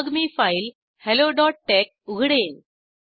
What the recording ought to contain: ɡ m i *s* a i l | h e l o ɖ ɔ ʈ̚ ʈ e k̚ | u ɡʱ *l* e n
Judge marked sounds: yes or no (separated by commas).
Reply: no, no